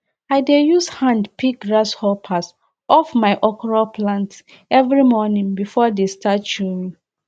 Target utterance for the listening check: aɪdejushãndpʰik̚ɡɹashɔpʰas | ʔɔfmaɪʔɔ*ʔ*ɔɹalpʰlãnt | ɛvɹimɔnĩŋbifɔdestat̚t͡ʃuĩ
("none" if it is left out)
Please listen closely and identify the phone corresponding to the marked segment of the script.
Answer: k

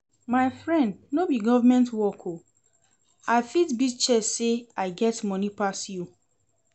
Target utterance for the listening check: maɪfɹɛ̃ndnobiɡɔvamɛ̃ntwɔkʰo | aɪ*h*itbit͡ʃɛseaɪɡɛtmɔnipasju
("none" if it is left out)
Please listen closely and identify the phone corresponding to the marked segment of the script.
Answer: f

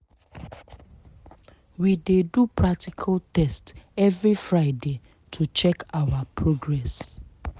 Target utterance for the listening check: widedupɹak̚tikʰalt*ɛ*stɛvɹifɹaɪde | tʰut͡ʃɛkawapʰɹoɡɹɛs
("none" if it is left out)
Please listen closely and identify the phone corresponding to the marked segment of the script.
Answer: ɛ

